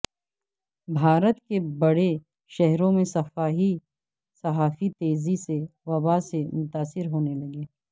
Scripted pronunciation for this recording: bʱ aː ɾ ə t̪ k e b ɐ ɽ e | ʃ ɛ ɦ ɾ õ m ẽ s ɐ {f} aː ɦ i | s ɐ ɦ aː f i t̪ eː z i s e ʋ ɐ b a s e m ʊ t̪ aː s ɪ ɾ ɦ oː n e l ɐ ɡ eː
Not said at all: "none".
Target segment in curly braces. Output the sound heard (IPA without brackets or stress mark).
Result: f